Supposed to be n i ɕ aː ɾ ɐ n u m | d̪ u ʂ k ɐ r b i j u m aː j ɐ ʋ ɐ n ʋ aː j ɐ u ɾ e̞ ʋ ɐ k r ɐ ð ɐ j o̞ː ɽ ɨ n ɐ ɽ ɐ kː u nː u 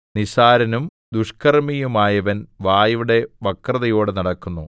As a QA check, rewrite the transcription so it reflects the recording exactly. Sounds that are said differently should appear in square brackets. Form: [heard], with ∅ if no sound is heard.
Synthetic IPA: n i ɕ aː ɾ ɐ n u m | d̪ u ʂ k ɐ r [m] i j u m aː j ɐ ʋ ɐ n ʋ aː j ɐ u [ɽ] e̞ ʋ ɐ k r ɐ ð ɐ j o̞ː ɽ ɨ n ɐ ɽ ɐ kː u nː u